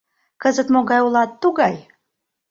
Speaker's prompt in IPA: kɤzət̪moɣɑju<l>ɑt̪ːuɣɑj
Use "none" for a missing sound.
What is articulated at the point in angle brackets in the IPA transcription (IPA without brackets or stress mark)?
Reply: l